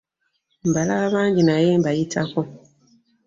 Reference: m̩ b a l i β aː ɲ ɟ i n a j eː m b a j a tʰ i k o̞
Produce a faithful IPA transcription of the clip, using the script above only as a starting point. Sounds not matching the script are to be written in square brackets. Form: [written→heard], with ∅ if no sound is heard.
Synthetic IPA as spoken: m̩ b a l [i→a] β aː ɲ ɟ i n a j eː m b a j [a→i] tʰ [i→a] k o̞

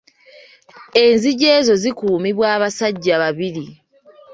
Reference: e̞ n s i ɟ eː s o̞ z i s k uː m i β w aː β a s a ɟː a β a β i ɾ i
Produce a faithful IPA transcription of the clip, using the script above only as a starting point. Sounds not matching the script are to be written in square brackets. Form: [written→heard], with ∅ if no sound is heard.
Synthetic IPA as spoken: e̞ n [s→z] i ɟ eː [s→z] o̞ z i [s→∅] k uː m i β w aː β a s a ɟː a β a β i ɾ i

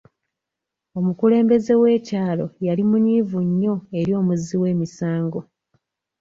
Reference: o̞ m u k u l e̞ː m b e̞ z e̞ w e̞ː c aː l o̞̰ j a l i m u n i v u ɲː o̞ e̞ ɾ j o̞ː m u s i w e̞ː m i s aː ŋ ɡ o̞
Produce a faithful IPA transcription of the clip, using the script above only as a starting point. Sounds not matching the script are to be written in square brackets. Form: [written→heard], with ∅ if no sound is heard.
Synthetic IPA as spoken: o̞ m u k u l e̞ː m b e̞ z e̞ w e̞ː c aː l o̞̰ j a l i m u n i v u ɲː o̞ e̞ ɾ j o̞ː m u [s→z] i w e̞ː m i s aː ŋ ɡ o̞

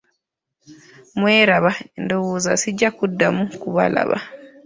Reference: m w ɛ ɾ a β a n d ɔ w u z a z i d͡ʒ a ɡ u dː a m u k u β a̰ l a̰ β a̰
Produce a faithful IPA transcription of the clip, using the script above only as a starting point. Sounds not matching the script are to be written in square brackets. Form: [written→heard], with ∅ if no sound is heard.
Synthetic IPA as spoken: m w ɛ ɾ a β a n d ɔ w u z a [z→s] i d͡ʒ a [ɡ→k] u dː a m u k u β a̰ l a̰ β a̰

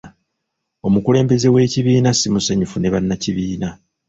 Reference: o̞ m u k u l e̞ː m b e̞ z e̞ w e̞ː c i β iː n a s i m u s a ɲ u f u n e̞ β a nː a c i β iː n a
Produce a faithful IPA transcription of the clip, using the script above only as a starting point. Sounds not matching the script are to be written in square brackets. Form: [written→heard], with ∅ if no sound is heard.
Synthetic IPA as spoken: o̞ m u k u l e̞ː m b e̞ z e̞ w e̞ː c i β iː n a s i m u s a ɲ u f u n e̞ β a nː a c i β iː n a

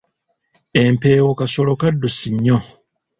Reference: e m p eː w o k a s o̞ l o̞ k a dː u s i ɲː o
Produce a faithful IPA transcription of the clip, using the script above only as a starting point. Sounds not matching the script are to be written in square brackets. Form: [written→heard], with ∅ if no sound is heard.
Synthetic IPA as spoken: e m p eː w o k a s o̞ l o̞ k a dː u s i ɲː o

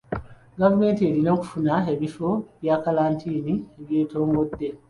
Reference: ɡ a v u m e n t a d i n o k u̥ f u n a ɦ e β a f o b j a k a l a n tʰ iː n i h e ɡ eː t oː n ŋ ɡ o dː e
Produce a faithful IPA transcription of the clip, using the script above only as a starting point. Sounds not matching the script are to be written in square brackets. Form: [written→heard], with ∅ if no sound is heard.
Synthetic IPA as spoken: ɡ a v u m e n t [a→e] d i n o k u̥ f u n a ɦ e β [a→i] f o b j a k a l a n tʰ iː n i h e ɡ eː t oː [n→∅] ŋ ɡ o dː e

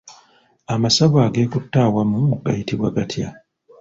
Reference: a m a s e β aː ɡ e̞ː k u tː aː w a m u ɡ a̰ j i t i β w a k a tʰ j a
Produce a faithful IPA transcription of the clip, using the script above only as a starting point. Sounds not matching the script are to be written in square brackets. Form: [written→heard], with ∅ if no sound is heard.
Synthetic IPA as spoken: a m a s [e→a] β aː ɡ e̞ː k u tː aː w a m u ɡ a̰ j i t i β w a [k→ɡ] a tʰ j a

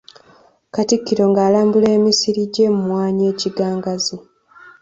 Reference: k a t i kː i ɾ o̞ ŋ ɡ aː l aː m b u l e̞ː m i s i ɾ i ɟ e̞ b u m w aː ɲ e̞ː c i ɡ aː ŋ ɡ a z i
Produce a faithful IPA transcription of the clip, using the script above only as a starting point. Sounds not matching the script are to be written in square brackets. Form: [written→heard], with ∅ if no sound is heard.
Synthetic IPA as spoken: k a t i kː i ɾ o̞ ŋ ɡ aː l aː m b u l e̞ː m i s i ɾ i ɟ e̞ [b→m] u m w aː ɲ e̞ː c i ɡ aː ŋ ɡ a z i

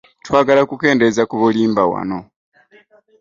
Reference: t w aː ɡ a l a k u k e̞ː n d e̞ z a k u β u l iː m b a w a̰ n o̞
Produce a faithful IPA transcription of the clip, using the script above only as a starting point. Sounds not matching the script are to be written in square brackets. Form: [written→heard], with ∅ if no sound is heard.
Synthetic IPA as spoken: t w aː ɡ a l a k u k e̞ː n d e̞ z a k u β u l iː m b a w a̰ n o̞

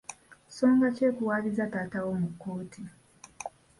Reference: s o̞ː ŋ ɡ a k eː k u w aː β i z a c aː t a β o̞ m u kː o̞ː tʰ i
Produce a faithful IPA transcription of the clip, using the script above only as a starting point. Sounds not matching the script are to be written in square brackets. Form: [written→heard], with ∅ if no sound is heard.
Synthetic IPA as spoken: s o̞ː ŋ ɡ a [k→c] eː k u w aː β i z a [c→t] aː t a [β→w] o̞ m u kː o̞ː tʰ i

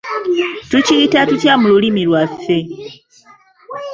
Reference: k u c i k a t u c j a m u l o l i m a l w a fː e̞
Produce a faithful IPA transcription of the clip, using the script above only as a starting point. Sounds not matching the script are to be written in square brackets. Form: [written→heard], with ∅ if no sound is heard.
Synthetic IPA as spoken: [k→t] u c i [k→t] a t u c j a m u l [o→u] l i m [a→i] l w a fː e̞

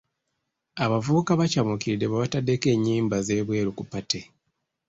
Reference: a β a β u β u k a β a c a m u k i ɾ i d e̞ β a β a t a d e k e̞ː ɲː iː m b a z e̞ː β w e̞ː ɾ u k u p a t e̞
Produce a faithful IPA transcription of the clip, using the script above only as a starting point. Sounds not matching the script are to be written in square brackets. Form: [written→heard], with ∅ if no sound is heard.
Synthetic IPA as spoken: a β a [β→v] u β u k a β a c a m u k i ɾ i d e̞ β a β a t a d e k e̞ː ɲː iː m b a z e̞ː β w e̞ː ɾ u k u p a t e̞

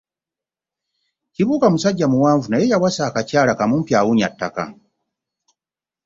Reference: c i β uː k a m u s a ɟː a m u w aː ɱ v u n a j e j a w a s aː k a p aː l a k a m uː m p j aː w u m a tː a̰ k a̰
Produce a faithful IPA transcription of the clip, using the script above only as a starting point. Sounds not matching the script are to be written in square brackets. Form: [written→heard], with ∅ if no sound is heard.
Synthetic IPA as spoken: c i β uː k a m u s a ɟː a m u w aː ɱ v u n a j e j a w a s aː k a [p→c] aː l a k a m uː m p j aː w u [m→ɲ] a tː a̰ k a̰

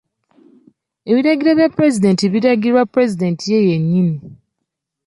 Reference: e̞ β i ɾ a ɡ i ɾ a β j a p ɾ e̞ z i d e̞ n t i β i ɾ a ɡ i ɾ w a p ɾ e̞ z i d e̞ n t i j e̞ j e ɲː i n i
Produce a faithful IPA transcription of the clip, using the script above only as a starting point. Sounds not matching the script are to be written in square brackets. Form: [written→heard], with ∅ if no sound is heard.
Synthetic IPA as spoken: e̞ β i ɾ a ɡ i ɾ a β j a p ɾ e̞ z i d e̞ n t i β i ɾ a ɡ i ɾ w a p ɾ e̞ z i d e̞ n t i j e̞ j e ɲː i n i

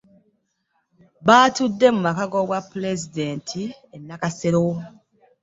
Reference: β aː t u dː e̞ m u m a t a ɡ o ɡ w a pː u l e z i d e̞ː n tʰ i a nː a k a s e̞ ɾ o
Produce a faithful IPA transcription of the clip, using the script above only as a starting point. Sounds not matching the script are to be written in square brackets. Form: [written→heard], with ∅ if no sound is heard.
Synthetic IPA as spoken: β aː t u dː e̞ m u m a [t→k] a ɡ o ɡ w a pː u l e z i d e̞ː n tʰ i [a→e] nː a k a s e̞ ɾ o

